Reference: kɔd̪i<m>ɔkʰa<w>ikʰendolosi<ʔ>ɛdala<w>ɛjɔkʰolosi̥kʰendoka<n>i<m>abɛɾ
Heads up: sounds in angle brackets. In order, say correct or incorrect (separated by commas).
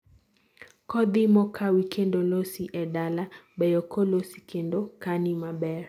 correct, correct, correct, incorrect, correct, correct